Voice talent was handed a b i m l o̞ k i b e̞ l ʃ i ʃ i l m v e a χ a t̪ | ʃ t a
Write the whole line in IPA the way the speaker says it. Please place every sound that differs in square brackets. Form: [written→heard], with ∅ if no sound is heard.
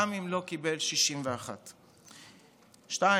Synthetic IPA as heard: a [b→m] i m l o̞ k i b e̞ l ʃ i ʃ i [l→∅] m v e a χ a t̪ | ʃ t a